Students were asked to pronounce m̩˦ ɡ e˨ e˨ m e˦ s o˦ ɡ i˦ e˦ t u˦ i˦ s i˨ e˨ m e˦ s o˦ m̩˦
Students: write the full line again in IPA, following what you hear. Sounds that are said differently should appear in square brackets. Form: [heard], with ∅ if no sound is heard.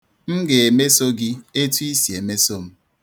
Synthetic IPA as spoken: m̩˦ ɡ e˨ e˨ m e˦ s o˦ ɡ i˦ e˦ t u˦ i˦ s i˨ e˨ m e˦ s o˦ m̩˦